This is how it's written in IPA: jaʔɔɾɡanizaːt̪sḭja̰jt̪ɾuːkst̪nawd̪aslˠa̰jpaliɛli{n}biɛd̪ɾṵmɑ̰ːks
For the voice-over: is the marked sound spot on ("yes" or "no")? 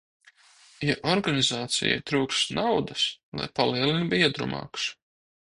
yes